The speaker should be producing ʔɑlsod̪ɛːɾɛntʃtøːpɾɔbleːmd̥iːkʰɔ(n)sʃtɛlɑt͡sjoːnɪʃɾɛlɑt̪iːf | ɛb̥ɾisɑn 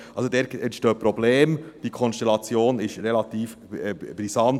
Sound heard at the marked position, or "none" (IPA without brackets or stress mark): n